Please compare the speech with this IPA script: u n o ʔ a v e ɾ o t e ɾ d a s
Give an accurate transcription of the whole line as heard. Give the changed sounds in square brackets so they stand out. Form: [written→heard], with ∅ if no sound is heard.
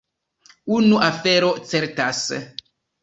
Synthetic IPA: u n [o→u] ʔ a [v→f] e ɾ o [t→t͡s] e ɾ [d→t] a s